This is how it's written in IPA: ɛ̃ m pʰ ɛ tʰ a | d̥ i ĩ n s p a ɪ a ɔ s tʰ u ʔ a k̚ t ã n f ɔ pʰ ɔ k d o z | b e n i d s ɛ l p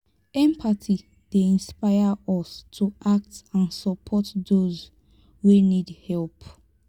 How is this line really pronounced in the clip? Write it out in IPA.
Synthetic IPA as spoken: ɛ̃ m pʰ a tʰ i | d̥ e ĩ n s p a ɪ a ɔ s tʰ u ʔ a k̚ t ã n s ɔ pʰ ɔ t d o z | w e n i d h ɛ l p